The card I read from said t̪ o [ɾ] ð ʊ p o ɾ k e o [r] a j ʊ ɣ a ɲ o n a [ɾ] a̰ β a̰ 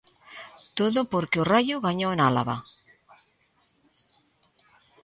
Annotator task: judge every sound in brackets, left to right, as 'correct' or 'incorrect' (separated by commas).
incorrect, correct, incorrect